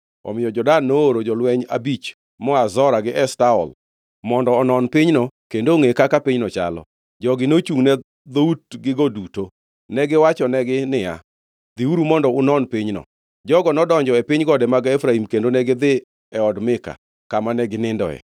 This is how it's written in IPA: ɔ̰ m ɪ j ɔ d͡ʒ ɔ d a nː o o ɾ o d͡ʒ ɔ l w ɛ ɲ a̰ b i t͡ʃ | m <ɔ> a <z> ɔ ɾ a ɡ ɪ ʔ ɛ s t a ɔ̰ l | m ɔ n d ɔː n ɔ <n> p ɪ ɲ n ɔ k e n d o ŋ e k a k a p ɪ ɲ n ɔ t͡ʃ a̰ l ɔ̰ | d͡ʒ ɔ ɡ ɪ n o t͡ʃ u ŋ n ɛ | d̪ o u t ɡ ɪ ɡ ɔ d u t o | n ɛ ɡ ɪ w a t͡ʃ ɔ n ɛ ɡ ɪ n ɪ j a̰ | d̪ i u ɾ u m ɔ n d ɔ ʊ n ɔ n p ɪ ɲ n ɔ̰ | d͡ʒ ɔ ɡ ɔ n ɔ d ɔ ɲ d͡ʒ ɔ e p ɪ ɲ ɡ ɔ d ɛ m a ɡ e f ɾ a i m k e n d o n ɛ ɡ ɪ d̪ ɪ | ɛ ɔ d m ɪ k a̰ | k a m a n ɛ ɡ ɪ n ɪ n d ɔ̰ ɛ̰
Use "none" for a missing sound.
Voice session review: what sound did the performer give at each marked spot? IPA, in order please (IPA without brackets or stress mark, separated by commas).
ɔ, z, n